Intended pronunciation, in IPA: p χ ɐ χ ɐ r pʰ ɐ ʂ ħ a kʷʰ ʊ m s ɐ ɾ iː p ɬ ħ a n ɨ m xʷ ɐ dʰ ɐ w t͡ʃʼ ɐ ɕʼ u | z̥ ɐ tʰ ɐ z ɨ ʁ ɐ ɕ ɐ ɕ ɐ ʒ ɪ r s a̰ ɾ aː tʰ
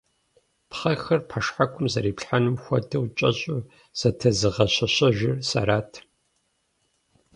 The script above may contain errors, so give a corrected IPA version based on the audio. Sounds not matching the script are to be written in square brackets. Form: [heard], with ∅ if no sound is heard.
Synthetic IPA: p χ ɐ [x] ɐ r pʰ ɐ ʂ ħ a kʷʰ ʊ m [z] ɐ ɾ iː p ɬ ħ a n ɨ m xʷ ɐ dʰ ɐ w t͡ʃʼ ɐ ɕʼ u | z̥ ɐ tʰ ɐ z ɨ ʁ ɐ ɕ ɐ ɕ ɐ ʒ ɪ r s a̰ ɾ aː tʰ